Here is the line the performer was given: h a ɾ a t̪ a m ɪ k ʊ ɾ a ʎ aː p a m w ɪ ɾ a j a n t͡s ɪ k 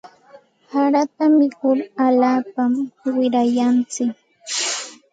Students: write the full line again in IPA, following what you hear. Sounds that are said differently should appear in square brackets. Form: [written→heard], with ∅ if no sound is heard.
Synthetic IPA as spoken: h a ɾ a t̪ a m ɪ k ʊ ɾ a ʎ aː p a m w ɪ ɾ a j a n t͡s ɪ k